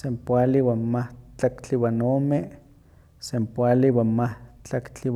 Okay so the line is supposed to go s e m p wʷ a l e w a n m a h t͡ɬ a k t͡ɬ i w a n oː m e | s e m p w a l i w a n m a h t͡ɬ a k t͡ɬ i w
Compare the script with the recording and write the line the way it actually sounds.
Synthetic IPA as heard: s e m p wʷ a l i w a n m a h t͡ɬ a k t͡ɬ i w a n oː m e | s e m p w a l i w a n m a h t͡ɬ a k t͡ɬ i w

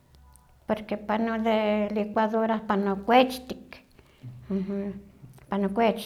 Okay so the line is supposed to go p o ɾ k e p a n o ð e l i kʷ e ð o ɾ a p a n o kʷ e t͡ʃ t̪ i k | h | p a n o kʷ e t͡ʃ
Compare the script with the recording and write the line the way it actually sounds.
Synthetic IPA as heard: p o ɾ k e p a n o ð e l i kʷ a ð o ɾ a p a n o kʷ e t͡ʃ t̪ i k | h | p a n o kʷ e t͡ʃ

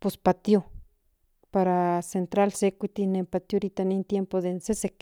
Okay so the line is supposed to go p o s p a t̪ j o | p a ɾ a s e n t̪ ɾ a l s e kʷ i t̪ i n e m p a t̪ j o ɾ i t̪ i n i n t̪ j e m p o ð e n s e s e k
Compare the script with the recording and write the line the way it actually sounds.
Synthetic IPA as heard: p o s p a t̪ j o | p a ɾ a s e n t̪ ɾ a l s e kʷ i t̪ i n e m p a t̪ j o ɾ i t̪ a n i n t̪ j e m p o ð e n s e s e k

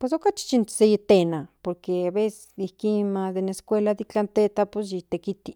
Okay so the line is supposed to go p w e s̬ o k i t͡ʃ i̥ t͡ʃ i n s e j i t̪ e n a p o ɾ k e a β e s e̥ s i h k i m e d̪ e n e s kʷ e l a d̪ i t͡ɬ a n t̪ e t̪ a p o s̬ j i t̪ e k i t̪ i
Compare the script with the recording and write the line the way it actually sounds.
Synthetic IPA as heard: p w e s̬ o k a t͡ʃ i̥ t͡ʃ i n s e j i t̪ e n a p o ɾ k e a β e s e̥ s i h k i m a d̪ e n e s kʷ e l a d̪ i t͡ɬ a n t̪ e t̪ a p o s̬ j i t̪ e k i t̪ i

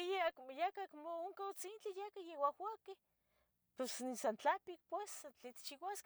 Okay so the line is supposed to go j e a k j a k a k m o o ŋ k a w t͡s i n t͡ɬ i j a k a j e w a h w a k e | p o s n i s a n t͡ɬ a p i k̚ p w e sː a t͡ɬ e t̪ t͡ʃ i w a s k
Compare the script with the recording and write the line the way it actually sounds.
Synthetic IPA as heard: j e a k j a k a k m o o ŋ k a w t͡s i n t͡ɬ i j a k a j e w a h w a k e | p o s n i s a n t͡ɬ a p i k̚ p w e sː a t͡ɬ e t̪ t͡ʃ i w a s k

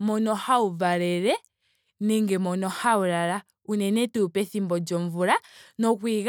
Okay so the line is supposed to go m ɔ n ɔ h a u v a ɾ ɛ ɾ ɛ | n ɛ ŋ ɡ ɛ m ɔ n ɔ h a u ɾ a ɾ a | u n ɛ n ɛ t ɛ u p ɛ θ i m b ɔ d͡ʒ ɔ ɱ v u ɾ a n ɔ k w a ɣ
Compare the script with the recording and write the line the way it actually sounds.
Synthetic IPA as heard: m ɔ n ɔ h a u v a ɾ ɛ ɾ ɛ | n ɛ ŋ ɡ ɛ m ɔ n ɔ h a u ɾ a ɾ a | u n ɛ n ɛ t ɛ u p ɛ θ i m b ɔ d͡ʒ ɔ ɱ v u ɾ a n ɔ k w i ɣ

